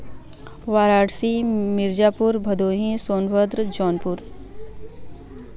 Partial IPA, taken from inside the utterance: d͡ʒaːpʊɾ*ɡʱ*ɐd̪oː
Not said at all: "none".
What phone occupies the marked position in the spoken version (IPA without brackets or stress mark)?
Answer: bʱ